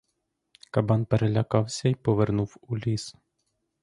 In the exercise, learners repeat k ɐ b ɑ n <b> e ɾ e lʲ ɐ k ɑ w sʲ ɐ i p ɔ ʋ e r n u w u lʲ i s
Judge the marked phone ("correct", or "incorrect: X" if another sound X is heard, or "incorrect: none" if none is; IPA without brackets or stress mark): incorrect: p